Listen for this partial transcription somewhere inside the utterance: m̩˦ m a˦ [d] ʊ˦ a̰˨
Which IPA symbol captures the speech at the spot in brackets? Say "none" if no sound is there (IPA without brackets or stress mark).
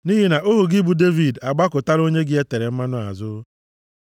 n